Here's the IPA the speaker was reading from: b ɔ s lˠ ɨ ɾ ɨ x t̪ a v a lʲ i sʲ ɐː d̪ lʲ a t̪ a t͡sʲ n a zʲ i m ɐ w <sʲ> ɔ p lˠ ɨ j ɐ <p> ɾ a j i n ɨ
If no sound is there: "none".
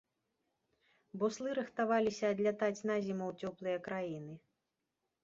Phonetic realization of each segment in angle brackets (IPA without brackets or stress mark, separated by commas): t͡sʲ, k